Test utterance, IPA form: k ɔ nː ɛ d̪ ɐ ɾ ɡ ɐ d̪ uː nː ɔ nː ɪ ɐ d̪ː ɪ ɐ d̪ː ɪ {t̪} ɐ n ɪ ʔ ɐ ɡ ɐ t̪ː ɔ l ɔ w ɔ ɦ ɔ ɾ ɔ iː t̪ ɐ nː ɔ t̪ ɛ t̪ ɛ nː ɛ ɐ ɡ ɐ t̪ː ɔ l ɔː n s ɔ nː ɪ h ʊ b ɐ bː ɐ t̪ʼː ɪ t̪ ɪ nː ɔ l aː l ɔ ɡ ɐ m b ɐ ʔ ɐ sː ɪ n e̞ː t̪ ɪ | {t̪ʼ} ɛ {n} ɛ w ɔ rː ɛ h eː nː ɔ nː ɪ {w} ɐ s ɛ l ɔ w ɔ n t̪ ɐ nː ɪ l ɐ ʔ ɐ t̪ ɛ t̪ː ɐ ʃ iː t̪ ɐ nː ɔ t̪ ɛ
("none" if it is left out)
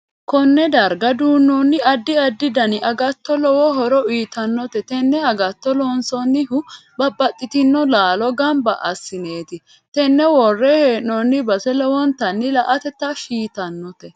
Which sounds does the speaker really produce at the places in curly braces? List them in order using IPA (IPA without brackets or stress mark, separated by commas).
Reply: d̪, t̪, nː, b